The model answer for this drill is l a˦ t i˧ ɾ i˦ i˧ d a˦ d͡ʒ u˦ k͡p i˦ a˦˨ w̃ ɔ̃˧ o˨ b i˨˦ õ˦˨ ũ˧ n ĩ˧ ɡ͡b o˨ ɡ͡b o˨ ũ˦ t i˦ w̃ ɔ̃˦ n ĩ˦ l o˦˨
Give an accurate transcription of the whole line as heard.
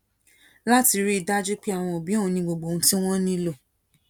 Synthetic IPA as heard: l a˦ t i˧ ɾ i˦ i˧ d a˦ d͡ʒ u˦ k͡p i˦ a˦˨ w̃ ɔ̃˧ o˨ b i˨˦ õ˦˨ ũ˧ n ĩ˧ ɡ͡b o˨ ɡ͡b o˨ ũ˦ t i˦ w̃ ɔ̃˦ n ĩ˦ l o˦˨